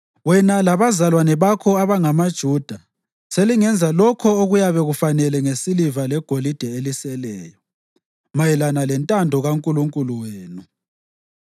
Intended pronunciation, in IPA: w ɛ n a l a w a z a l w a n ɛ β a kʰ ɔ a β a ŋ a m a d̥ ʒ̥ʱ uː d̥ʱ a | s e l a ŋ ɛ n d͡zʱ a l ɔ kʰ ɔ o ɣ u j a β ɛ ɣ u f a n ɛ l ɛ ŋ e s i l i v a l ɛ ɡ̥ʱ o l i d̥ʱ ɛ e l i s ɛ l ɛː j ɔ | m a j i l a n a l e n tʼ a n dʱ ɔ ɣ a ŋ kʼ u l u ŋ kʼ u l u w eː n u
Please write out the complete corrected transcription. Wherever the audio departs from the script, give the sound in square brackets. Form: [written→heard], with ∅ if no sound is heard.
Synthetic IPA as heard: w ɛ n a l a [w→β] a z a l w a n ɛ β a kʰ ɔ a β a ŋ a m a d̥ ʒ̥ʱ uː d̥ʱ a | s e l [a→i] ŋ ɛ n d͡zʱ a l ɔ kʰ ɔ o ɣ u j a β ɛ ɣ u f a n ɛ l ɛ ŋ e s i l i v a l ɛ ɡ̥ʱ o l i d̥ʱ ɛ e l i s ɛ l ɛː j ɔ | m a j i l a n a l [e→ɛ] n tʼ a n dʱ ɔ ɣ a ŋ kʼ u l u ŋ kʼ u l u w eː n u